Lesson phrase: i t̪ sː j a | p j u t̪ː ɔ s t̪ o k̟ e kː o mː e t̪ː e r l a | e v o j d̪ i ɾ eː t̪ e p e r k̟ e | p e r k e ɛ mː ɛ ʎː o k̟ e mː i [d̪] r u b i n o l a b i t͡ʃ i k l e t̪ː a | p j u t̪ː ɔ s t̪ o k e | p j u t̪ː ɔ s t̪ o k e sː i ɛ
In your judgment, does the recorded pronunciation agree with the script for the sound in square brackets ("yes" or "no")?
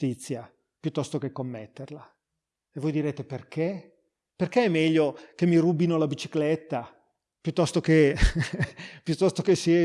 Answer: no